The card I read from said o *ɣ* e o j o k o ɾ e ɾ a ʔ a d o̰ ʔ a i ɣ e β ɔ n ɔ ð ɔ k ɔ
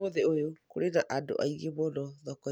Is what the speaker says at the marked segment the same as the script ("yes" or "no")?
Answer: no